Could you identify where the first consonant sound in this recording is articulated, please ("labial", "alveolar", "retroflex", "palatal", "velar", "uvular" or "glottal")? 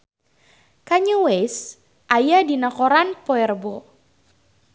velar